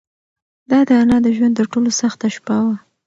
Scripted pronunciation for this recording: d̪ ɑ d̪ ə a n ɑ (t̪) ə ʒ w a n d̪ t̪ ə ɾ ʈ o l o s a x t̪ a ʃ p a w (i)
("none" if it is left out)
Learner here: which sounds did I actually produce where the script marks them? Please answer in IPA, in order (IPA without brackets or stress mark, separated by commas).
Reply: d̪, a